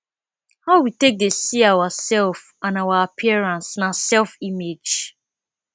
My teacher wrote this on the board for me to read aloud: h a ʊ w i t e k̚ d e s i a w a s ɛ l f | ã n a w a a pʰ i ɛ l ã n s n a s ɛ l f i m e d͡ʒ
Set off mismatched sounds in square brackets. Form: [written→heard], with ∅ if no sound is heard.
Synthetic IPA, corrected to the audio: h a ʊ w i t e k̚ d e s i a w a s ɛ l f | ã n a w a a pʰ i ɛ [l→ɹ] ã n s n a s ɛ l f i m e d͡ʒ